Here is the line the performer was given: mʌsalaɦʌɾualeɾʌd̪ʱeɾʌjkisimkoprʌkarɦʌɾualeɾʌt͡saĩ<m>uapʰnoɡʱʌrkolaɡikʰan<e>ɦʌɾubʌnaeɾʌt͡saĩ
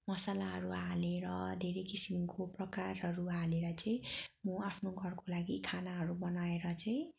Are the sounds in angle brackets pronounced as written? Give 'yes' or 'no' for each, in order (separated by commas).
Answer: yes, no